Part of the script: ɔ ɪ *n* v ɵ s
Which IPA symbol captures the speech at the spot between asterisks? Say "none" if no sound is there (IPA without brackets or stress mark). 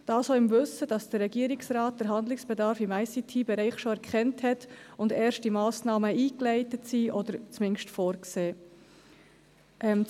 m